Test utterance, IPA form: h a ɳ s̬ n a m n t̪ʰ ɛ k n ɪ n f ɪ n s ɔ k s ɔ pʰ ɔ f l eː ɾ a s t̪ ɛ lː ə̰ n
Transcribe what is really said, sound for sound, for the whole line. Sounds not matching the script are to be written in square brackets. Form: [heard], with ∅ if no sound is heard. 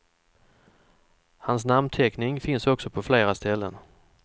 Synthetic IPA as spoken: h a [n] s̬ n a m n t̪ʰ ɛ k n ɪ [ŋ] f ɪ n s ɔ k s ɔ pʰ ɔ f l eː ɾ a s t̪ ɛ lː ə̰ n

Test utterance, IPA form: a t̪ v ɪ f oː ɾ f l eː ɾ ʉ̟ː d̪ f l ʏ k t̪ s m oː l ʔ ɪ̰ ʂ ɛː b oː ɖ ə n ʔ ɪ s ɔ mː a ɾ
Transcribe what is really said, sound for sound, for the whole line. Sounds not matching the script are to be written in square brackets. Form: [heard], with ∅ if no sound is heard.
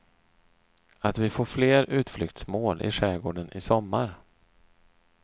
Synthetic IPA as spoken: a t̪ v ɪ f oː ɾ f l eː ɾ ʉ̟ː [t̪] f l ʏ k t̪ s m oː l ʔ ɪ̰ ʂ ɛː [ɡ] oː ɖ ə n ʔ ɪ s ɔ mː a ɾ

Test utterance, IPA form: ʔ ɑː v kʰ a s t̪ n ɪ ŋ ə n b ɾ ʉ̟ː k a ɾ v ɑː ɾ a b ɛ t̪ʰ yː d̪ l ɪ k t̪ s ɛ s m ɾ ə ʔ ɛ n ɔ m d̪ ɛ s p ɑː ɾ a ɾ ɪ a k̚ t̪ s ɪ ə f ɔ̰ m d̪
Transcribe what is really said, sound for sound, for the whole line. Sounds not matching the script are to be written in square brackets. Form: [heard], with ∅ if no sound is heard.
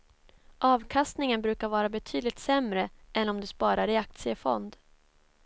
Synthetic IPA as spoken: ʔ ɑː v kʰ a s t̪ n ɪ ŋ ə n b ɾ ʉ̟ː k a ɾ v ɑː ɾ a b ɛ t̪ʰ yː d̪ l ɪ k t̪ s ɛ [∅] m ɾ ə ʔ ɛ n ɔ m d̪ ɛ s p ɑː ɾ a ɾ ɪ a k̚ t̪ s ɪ ə f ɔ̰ [n] d̪

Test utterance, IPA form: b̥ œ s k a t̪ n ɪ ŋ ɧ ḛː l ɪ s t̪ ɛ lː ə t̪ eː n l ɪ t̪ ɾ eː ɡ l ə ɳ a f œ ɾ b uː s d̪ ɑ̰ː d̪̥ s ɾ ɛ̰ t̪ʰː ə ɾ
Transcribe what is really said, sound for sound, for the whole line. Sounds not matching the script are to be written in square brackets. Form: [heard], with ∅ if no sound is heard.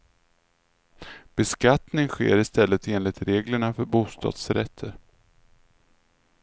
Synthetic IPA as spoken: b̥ [ɛ] s k a t̪ n ɪ ŋ ɧ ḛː [ɾ] ɪ s t̪ ɛ lː ə t̪ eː n l ɪ t̪ ɾ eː ɡ l ə ɳ a f œ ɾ b uː s [t̪] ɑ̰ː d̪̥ s ɾ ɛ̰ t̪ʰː ə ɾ

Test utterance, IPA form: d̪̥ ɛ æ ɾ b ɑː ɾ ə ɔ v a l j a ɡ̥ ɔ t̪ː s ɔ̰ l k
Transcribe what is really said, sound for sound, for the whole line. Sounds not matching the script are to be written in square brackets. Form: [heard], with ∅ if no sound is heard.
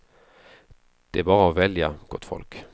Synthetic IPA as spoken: d̪̥ ɛ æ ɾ b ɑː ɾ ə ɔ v [ɛ] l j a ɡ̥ ɔ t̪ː [f] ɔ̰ l k

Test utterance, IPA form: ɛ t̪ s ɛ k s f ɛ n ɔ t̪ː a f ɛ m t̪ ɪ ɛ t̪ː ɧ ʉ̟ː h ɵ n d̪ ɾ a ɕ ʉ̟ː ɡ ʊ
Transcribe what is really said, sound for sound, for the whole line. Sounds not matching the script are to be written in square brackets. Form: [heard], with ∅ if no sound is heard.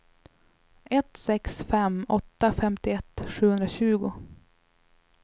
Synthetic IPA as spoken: ɛ t̪ s ɛ k s f ɛ [m] ɔ t̪ː a f ɛ m t̪ ɪ ɛ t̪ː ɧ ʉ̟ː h ɵ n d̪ ɾ a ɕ ʉ̟ː ɡ ʊ

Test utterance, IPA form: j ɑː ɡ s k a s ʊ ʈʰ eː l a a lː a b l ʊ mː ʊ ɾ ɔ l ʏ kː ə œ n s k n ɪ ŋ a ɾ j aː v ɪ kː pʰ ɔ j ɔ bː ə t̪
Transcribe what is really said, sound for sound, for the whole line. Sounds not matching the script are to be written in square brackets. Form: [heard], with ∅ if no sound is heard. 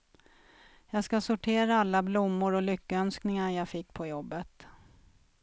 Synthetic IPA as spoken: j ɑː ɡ s k a s ʊ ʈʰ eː [ɾ] a a lː a b l ʊ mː ʊ ɾ ɔ l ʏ kː ə œ n s k n ɪ ŋ a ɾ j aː [f] ɪ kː pʰ ɔ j ɔ bː ə t̪

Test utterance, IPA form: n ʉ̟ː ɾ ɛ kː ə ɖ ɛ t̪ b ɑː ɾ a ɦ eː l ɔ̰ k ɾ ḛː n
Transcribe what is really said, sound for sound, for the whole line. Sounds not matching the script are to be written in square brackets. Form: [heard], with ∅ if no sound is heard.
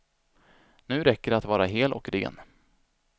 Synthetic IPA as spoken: n ʉ̟ː ɾ ɛ kː ə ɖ [a] t̪ [v] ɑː ɾ a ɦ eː l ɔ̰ k ɾ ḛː n

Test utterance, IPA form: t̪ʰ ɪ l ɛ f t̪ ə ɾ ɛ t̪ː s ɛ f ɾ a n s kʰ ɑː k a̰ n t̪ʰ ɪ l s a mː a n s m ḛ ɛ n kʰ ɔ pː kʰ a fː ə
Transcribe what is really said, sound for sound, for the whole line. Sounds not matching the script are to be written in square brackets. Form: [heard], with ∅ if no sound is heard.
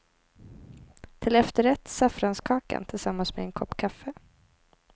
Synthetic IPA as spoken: t̪ʰ ɪ l ɛ f t̪ ə ɾ ɛ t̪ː s [a] f ɾ a n s kʰ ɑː k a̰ n t̪ʰ ɪ l s a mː a n s m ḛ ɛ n kʰ ɔ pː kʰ a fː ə

